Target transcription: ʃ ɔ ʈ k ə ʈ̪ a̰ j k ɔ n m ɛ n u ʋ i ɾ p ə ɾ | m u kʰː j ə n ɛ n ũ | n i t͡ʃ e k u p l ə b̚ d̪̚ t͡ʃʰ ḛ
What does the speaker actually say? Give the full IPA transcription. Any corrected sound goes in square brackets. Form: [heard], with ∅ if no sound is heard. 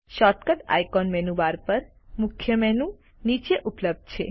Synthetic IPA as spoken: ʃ ɔ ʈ k ə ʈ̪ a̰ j k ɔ n m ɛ n u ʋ [a] ɾ p ə ɾ | m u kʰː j ə [m] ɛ n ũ | n i t͡ʃ e [ʔ] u p l ə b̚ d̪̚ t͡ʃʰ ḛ